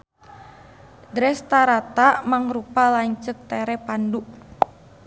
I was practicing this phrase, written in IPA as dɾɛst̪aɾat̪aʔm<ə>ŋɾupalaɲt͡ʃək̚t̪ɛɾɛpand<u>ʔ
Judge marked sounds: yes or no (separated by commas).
no, yes